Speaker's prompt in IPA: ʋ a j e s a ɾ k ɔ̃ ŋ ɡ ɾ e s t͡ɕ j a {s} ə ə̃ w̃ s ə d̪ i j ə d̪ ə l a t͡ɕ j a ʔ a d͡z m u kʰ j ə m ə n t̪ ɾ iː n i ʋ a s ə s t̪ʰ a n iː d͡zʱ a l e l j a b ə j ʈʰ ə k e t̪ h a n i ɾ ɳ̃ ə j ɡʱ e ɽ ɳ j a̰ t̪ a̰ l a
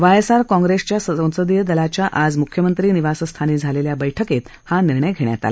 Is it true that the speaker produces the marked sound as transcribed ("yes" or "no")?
yes